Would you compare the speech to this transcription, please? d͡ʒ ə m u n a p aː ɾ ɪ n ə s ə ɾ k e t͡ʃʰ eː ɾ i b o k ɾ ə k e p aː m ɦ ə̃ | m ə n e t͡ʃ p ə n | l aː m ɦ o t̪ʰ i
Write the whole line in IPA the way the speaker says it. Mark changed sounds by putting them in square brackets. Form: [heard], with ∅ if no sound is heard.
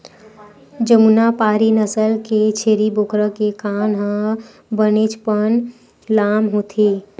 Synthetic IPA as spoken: d͡ʒ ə m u n a p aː ɾ [i] n ə s ə [l] k e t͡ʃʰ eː ɾ i b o k ɾ ə k e [k] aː [n] ɦ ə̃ | [b] ə n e t͡ʃ p ə n | l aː m ɦ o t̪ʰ i